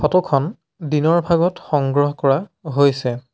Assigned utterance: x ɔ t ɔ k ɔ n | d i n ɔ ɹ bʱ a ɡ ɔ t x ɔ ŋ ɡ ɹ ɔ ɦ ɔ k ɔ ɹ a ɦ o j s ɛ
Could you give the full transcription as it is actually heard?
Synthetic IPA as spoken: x ɔ t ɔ kʰ ɔ n | d i n ɔ ɹ bʱ a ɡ ɔ t x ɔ ŋ ɡ ɹ ɔ ɦ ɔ k ɔ ɹ a ɦ o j s ɛ